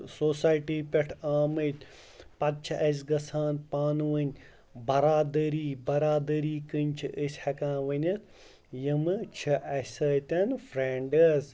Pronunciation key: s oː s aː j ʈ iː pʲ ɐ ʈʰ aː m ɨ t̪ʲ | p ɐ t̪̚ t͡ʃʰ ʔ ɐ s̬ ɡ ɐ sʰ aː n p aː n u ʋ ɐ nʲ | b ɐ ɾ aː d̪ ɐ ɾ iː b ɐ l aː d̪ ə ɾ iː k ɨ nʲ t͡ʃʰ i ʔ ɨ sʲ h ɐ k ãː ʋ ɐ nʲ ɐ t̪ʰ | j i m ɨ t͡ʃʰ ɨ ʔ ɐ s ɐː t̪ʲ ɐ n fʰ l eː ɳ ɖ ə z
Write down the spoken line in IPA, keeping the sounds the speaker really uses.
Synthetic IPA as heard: s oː s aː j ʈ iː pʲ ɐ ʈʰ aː m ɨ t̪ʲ | p ɐ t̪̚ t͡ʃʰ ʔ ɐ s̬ ɡ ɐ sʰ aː n p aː n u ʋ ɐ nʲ | b ɐ ɾ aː d̪ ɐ ɾ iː b ɐ ɾ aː d̪ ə ɾ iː k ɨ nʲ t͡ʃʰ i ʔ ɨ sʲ h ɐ k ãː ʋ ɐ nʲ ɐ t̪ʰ | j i m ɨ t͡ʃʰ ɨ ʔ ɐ s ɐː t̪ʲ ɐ n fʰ ɾ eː ɳ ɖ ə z